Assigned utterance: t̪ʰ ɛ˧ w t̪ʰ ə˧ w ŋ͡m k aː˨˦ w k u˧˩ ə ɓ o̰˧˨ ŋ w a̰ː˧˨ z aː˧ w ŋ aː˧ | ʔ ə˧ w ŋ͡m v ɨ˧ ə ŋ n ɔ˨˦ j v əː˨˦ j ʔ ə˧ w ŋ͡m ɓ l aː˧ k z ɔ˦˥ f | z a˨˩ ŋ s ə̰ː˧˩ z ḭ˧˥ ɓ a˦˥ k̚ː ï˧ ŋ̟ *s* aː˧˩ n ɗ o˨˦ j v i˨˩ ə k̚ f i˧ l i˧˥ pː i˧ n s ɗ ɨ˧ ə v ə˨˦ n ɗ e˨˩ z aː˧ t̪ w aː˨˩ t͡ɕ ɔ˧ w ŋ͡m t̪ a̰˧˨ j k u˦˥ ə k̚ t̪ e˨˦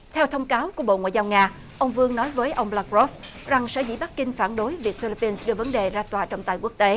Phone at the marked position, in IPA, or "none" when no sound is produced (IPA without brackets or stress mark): f